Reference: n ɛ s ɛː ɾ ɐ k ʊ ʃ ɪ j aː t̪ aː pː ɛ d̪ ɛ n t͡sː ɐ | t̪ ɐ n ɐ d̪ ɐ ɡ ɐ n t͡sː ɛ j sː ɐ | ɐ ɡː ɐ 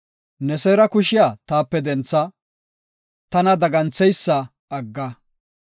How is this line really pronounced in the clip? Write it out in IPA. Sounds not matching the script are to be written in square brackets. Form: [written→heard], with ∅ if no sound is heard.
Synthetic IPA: n ɛ s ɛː ɾ ɐ k ʊ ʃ ɪ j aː t̪ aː pː ɛ d̪ ɛ n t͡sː ɐ | t̪ ɐ n ɐ d̪ ɐ ɡ ɐ n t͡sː ɛ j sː ɐ | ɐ ɡː ɐ